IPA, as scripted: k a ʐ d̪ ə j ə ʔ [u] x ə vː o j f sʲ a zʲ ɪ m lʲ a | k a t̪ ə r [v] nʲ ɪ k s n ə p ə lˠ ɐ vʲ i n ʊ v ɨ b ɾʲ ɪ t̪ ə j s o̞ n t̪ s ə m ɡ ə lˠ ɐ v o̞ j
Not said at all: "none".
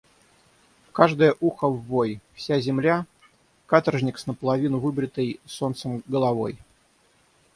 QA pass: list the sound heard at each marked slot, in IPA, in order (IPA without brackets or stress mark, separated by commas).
u, ʐ